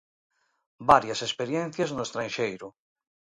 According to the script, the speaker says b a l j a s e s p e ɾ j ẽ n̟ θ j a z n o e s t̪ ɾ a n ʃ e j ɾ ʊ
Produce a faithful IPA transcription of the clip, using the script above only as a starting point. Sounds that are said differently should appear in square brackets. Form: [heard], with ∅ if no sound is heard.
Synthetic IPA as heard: b a [ɾ] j a s e s p e ɾ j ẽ n̟ θ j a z n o e s t̪ ɾ a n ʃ e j ɾ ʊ